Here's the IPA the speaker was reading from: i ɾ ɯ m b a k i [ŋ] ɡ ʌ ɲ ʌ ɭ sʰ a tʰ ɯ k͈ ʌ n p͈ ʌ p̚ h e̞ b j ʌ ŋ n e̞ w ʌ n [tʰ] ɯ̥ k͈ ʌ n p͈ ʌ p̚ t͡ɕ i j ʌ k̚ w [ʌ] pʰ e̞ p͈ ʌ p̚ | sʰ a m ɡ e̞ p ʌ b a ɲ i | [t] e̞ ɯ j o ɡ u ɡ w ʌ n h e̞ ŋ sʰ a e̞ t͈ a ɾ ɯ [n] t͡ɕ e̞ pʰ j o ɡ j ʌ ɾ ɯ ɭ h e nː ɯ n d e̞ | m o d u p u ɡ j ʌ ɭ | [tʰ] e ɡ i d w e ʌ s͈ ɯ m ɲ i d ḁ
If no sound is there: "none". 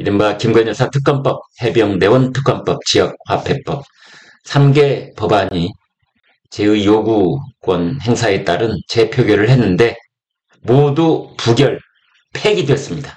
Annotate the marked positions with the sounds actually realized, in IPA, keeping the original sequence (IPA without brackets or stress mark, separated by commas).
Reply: m, tʰ, a, t͡ɕ, n, pʰ